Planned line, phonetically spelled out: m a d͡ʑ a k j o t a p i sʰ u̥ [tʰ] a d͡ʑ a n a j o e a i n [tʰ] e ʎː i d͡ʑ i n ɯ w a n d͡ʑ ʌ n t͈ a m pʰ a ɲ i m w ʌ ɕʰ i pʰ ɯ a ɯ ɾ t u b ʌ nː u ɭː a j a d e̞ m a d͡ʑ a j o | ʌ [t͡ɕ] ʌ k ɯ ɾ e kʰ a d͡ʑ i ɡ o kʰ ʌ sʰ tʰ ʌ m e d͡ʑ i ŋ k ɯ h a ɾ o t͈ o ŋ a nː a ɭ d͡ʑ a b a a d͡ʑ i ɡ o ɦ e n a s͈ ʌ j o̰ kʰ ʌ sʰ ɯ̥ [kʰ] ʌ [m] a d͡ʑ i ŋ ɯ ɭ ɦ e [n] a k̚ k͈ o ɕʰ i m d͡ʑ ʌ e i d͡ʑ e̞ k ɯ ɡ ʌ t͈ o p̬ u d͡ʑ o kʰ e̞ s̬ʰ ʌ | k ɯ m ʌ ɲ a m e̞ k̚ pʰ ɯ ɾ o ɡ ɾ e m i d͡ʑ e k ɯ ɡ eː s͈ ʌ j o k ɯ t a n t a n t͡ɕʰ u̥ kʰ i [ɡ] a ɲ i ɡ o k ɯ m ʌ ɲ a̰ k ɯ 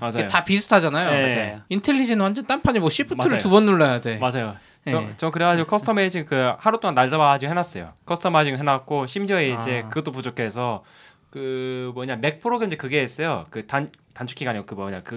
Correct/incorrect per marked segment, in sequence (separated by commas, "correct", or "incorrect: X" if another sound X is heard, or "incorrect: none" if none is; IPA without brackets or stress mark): correct, correct, correct, incorrect: tʰ, correct, correct, correct